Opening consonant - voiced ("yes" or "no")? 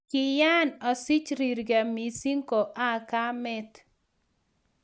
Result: no